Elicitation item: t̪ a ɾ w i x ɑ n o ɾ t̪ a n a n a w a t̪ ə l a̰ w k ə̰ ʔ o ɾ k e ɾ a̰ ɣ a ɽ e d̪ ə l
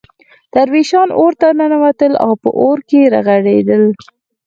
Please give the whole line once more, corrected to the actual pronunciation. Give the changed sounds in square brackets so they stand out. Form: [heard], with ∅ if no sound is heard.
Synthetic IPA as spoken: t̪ a ɾ w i [ʃ] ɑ n o ɾ t̪ a n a n a w a t̪ ə l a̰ w [p] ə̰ ʔ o ɾ k e ɾ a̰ ɣ a ɽ e d̪ ə l